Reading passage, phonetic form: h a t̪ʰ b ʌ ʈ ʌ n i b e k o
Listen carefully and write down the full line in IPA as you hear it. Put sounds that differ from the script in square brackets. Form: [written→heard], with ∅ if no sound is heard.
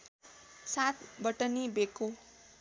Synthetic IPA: [h→s] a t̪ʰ b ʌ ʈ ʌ n i b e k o